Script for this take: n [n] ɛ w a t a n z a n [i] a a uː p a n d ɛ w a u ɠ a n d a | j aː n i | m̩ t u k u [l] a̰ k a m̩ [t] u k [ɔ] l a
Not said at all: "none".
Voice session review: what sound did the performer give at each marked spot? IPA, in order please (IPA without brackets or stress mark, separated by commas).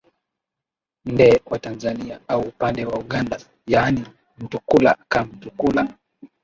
d, i, l, t, u